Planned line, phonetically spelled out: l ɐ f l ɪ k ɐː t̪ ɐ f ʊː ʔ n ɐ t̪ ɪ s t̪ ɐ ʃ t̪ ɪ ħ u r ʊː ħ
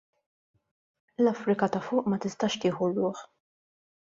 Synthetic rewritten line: l ɐ f ɾ ɪ k ɐ t̪ ɐ f ʊː ʔ m ɐ t̪ ɪ s t̪ ɐ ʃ t̪ ɪː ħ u r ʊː ħ